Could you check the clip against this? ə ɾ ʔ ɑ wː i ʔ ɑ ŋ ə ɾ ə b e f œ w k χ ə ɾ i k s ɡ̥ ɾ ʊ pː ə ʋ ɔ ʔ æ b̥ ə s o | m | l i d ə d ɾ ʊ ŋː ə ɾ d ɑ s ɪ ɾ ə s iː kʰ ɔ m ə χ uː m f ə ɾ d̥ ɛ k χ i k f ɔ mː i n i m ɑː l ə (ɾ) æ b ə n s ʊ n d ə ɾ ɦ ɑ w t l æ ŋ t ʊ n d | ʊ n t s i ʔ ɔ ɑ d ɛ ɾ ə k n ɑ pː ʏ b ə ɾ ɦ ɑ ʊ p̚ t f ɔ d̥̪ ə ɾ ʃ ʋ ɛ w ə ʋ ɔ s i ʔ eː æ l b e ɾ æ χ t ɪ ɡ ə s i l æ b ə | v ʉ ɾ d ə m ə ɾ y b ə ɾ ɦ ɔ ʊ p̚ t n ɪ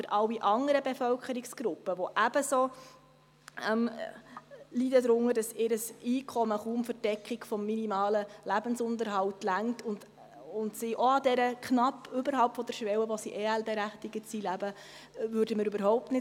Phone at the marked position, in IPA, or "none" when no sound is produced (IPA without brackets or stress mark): l